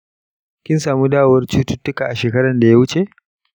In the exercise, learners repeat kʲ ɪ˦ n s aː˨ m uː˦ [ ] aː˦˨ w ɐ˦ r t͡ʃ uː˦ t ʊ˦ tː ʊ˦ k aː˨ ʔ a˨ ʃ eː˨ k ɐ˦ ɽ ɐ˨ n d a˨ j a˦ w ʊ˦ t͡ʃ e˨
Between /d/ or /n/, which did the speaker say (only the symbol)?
d